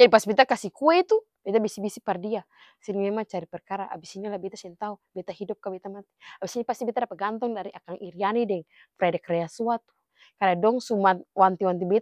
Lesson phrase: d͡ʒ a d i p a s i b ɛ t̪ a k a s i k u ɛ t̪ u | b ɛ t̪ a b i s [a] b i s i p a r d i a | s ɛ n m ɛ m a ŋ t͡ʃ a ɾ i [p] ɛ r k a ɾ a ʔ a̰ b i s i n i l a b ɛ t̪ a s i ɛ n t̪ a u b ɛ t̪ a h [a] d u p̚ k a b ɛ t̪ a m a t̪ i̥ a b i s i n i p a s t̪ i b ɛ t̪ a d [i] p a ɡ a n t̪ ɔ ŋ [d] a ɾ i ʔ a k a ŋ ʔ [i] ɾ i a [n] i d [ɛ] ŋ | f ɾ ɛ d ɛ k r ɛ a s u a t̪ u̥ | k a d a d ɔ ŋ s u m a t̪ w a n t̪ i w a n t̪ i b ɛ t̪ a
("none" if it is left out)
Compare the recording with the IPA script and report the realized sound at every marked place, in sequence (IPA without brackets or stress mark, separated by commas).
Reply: i, p, i, a, d, i, n, ɛ